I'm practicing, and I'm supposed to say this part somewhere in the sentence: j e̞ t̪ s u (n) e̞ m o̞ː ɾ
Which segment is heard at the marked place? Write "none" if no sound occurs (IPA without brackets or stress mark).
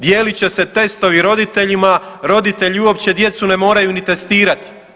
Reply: n